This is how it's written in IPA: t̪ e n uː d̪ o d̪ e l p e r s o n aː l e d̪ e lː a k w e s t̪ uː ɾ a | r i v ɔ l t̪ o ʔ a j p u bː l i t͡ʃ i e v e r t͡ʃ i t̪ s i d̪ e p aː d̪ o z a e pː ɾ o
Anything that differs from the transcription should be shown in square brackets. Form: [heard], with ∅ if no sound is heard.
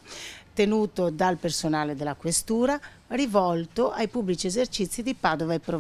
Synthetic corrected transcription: t̪ e n uː [t̪] o d̪ [a] l p e r s o n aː l e d̪ e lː a k w e s t̪ uː ɾ a | r i v ɔ l t̪ o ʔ a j p u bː l i t͡ʃ i e [z] e r t͡ʃ i t̪ [sː] i d̪ [i] p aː d̪ o [v] a e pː ɾ o